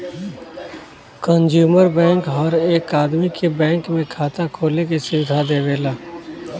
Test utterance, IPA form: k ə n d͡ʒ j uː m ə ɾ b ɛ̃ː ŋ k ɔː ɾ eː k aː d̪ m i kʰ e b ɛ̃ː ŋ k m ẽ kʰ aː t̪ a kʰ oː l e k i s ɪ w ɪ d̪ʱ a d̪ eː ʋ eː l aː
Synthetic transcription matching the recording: k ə n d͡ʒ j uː m ə ɾ b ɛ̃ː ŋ k ɔː ɾ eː k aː d̪ m i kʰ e b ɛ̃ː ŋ k m ẽ kʰ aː t̪ a kʰ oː l e k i s ɪ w ɪ d̪ʱ a d̪ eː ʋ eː l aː